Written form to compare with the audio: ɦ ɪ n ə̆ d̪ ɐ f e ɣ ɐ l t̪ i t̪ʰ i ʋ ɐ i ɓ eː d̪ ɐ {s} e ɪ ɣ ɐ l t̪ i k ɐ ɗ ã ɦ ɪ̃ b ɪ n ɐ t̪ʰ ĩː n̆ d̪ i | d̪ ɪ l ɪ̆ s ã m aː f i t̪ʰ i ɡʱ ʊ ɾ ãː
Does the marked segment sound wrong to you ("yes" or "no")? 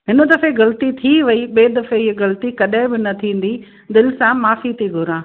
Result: yes